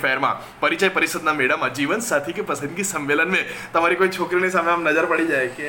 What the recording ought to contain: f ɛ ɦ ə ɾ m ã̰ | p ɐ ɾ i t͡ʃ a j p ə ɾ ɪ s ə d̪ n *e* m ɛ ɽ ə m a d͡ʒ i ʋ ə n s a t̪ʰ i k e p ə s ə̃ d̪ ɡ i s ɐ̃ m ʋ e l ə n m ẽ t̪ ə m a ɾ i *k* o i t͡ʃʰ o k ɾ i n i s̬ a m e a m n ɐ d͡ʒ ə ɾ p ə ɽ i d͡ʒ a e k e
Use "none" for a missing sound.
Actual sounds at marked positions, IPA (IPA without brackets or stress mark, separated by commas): a, k